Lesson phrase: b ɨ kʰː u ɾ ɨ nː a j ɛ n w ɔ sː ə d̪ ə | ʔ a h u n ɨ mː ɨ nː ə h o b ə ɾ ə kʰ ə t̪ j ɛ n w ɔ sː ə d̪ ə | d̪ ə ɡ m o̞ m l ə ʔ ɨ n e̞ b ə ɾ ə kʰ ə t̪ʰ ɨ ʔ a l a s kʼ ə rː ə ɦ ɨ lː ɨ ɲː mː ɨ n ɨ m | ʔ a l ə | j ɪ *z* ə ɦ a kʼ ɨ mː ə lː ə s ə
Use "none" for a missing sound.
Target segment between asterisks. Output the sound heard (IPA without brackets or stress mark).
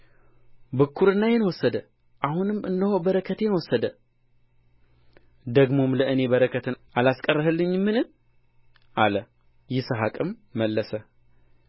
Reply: s